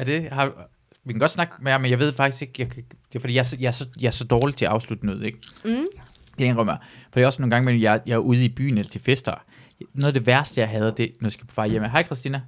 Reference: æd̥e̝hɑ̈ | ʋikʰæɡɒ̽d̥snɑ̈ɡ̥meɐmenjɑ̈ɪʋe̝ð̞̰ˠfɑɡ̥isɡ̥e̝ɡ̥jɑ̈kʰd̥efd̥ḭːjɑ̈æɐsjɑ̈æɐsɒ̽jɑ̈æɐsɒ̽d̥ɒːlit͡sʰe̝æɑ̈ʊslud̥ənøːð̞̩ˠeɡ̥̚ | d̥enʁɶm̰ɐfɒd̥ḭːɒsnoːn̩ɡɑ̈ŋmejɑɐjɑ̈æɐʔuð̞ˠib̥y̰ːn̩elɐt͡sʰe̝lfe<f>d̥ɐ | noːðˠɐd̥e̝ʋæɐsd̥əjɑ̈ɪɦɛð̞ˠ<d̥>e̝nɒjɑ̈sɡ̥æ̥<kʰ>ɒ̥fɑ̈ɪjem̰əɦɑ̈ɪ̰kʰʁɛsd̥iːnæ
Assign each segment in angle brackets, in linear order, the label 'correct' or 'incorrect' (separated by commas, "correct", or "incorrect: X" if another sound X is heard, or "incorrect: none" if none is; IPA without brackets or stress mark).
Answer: incorrect: s, correct, incorrect: pʰ